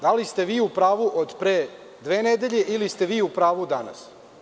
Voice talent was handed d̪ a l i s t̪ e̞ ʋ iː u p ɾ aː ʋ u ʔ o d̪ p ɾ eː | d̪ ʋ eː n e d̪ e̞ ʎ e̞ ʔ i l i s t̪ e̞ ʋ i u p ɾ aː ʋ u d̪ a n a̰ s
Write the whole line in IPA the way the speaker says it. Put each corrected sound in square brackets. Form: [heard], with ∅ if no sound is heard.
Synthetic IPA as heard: d̪ a l i s t̪ e̞ ʋ iː u p ɾ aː ʋ u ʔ o d̪ p ɾ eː | d̪ ʋ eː n e d̪ e̞ ʎ e̞ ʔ i l i s t̪ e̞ ʋ [iː] u p ɾ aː ʋ u d̪ a n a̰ s